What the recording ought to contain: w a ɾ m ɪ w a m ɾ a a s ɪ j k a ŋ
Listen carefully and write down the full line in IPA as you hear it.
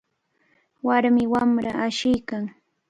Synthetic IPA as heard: w a ɾ m ɪ w a m ɾ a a ʃ ɪ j k a ŋ